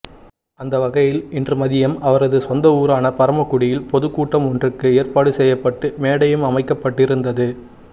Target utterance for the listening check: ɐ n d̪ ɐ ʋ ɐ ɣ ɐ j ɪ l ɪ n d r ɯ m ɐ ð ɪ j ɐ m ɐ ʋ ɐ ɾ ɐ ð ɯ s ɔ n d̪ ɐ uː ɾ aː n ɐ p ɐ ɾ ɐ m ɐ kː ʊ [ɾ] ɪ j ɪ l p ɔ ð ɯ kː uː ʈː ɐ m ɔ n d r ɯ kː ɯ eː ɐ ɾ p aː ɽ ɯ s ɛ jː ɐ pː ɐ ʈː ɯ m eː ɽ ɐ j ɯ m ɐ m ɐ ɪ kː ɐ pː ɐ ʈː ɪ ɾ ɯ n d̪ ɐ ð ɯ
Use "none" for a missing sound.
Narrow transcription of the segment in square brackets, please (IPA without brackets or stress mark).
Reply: ɽ